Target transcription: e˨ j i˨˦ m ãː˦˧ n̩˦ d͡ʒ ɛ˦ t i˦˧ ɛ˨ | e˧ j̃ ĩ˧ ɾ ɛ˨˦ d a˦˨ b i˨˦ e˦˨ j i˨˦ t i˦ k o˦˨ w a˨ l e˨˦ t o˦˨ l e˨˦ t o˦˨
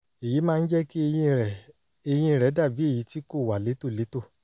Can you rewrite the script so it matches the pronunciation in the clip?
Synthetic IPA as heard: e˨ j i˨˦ m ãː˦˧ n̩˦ d͡ʒ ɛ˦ k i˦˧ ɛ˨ | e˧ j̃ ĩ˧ ɾ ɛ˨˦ d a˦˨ b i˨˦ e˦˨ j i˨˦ t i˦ k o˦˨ w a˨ l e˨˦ t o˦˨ l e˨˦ t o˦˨

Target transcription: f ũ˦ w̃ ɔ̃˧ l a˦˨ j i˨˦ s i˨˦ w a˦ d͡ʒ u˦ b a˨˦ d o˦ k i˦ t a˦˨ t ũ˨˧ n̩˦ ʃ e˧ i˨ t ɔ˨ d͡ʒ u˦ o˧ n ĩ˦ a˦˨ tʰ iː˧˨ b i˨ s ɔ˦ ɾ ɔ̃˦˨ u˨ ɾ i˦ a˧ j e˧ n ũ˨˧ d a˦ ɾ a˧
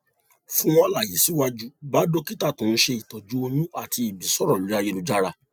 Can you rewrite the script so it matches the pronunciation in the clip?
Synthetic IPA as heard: f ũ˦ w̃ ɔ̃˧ l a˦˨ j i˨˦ s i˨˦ w a˦ d͡ʒ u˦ b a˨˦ d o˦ k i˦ t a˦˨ t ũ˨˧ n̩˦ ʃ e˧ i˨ t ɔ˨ d͡ʒ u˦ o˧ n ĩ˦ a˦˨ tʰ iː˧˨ b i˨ s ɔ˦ ɾ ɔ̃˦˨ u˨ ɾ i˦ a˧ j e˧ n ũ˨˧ d͡ʒ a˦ ɾ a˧

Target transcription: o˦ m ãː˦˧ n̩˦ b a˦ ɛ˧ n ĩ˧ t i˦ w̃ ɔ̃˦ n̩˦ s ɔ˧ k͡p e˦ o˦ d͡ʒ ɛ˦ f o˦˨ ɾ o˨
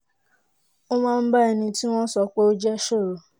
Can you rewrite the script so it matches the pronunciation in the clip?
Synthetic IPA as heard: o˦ m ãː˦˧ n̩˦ b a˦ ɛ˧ n ĩ˧ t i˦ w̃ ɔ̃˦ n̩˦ s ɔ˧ k͡p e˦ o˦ d͡ʒ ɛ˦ ʃ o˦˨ ɾ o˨

